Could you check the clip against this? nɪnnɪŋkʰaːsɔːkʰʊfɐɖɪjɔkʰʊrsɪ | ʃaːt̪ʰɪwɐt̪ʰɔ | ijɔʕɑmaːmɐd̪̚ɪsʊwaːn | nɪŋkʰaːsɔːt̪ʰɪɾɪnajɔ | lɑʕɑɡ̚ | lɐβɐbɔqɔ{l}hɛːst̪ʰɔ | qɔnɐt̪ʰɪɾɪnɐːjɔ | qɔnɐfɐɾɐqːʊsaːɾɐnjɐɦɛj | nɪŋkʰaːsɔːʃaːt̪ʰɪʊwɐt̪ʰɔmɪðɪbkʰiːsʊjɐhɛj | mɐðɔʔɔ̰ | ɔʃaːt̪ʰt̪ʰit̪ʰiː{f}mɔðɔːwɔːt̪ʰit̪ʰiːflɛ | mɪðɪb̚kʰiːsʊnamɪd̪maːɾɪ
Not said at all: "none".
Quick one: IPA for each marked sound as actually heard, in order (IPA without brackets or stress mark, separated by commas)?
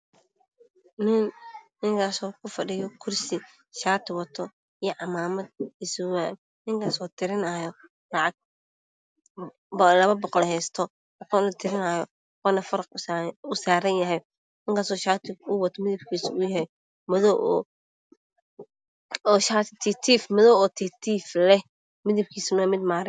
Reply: l, f